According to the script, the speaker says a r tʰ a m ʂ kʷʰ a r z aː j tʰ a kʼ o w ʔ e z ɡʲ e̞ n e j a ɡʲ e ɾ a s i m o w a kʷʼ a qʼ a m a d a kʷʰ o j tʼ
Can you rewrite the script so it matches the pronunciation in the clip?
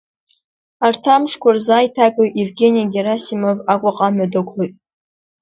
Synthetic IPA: a r tʰ a m ʂ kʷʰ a r z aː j tʰ a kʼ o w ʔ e v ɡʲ e̞ n i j a ɡʲ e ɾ a s i m o v a kʷʼ a qʼ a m a d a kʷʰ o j tʼ